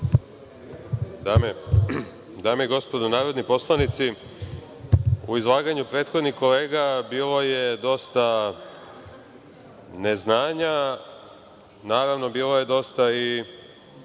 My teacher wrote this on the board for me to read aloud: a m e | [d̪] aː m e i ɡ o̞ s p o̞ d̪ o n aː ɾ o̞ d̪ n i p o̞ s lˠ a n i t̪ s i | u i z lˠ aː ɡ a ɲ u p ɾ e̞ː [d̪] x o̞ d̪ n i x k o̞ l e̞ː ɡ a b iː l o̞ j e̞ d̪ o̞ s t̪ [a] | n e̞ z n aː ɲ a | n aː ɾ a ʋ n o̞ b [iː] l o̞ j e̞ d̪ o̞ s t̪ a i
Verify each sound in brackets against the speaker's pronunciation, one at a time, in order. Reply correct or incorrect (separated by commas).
correct, incorrect, correct, correct